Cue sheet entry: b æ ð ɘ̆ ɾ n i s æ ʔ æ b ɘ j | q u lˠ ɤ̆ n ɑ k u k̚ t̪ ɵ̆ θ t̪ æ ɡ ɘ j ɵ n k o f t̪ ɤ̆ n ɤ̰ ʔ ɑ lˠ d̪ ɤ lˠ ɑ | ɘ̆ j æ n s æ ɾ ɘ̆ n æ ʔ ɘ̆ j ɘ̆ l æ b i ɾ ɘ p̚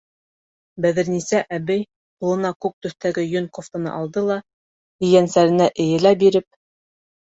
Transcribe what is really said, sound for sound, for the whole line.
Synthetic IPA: b æ ð ɘ̆ ɾ n i s æ ʔ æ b ɘ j | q u lˠ ɤ̆ n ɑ k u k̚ t̪ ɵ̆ θ t̪ æ ɡ ɘ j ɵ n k o f t̪ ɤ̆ n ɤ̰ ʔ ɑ lˠ d̪ ɤ lˠ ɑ | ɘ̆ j æ n s æ ɾ ɘ̆ n æ ʔ ɘ̆ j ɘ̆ l æ b i ɾ ɘ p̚